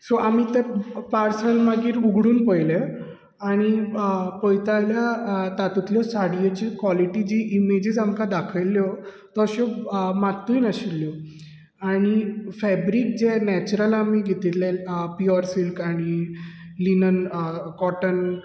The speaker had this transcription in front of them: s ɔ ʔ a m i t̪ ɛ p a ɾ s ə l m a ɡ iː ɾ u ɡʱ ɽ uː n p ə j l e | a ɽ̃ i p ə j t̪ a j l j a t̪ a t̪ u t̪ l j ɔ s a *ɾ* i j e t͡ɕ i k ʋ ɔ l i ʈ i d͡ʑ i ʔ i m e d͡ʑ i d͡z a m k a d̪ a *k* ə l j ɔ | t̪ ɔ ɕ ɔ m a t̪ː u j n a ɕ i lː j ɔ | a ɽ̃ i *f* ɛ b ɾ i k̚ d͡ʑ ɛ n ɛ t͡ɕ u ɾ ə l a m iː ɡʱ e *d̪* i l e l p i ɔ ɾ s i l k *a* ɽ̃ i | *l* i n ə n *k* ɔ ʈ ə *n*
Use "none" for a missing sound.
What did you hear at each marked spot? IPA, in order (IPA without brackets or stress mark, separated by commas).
ɽ, kʰ, f, t̪, a, l, k, n